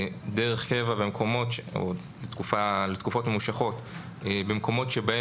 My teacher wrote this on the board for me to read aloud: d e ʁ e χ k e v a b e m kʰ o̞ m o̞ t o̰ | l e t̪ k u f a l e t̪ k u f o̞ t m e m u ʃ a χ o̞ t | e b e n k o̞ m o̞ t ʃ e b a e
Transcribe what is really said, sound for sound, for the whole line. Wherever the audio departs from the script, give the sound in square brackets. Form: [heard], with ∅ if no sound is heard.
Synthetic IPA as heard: d e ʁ e χ k e v a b e m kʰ o̞ m o̞ t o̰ | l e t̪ k u f a l e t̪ k u f o̞ t m e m u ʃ a χ o̞ t | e b e [m] k o̞ m o̞ t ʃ e b a e